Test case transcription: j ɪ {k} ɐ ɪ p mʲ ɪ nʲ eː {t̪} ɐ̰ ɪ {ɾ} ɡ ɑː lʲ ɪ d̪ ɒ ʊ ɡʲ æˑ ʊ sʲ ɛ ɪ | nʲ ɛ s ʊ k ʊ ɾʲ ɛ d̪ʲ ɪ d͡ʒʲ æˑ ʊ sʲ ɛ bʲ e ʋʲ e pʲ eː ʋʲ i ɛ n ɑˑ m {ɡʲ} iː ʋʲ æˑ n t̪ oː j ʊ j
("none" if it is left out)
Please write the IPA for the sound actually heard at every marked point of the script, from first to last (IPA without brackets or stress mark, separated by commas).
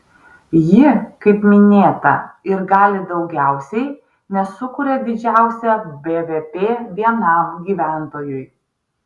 k, t̪, ɾ, ɡʲ